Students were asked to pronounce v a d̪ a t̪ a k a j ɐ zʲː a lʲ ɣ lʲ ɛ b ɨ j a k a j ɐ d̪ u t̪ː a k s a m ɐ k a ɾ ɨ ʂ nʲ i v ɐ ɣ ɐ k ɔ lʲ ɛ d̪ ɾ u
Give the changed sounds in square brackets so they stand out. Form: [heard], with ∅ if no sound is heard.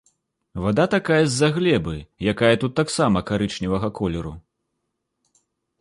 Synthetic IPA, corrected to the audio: v a d̪ a t̪ a k a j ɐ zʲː a [∅] ɣ lʲ ɛ b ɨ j a k a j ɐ [t̪] u t̪ː a k s a m ɐ k a ɾ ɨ [t͡ʂ] nʲ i v ɐ ɣ ɐ k ɔ lʲ ɛ [∅] ɾ u